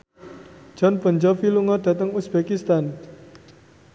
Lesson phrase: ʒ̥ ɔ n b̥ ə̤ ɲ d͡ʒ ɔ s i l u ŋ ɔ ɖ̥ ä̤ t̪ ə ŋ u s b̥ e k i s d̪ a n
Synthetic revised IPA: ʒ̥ ɔ n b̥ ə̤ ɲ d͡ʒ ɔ f i l u ŋ ɔ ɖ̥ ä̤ t̪ ə ŋ u s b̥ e k i s t̪ a n